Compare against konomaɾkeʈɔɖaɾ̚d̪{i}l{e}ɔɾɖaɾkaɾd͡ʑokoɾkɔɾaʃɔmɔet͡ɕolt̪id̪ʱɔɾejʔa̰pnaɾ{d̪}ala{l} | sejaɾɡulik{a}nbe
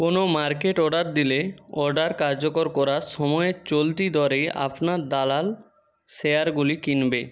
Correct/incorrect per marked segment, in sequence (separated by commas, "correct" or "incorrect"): correct, correct, correct, correct, incorrect